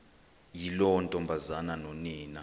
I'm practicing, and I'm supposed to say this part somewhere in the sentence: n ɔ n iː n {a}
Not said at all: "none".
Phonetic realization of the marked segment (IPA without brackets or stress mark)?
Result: a